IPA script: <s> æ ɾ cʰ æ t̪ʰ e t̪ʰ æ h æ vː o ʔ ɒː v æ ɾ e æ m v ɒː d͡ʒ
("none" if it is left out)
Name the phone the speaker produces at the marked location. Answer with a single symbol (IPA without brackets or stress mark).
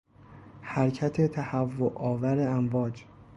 h